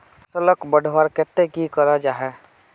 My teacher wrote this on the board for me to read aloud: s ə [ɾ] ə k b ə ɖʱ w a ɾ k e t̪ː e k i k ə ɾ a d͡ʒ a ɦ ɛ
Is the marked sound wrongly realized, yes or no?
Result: yes